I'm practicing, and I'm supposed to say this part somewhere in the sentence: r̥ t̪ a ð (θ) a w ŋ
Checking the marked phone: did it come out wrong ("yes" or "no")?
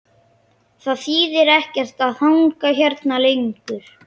no